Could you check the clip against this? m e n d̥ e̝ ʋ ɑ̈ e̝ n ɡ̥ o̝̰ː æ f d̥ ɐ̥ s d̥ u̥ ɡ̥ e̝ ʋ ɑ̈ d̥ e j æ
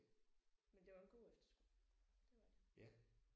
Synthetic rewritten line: m e n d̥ e̝ ʋ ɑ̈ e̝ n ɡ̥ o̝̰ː e f d̥ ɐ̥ s ɡ̥ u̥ d̥ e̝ ʋ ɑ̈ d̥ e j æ